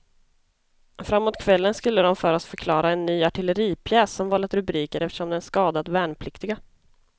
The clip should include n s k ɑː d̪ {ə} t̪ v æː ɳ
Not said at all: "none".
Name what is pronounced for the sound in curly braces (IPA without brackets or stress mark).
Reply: a